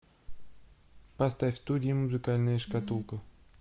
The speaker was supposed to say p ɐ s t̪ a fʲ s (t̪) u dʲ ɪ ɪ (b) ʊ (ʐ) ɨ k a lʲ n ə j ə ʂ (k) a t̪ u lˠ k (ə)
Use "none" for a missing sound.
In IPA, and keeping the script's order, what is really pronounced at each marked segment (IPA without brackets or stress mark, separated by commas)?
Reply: t̪, m, z, k, ə